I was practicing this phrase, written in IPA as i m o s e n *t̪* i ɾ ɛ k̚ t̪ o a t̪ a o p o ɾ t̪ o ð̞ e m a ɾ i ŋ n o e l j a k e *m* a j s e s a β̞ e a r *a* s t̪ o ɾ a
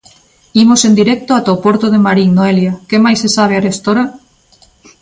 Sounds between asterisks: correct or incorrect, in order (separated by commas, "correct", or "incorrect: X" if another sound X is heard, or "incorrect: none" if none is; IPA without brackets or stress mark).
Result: incorrect: d̪, correct, incorrect: e